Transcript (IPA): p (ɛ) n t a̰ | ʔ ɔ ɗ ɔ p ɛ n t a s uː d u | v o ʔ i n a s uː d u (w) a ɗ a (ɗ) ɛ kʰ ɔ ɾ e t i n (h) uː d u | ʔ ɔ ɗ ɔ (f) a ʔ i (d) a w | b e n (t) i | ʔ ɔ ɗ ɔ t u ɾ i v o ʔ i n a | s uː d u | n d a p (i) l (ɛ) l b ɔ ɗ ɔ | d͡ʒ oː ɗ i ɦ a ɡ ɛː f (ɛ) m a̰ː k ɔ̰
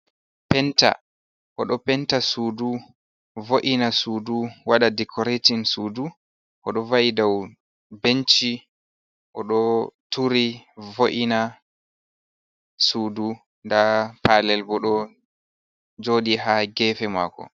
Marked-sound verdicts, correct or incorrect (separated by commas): correct, correct, incorrect, incorrect, incorrect, correct, incorrect, incorrect, correct, correct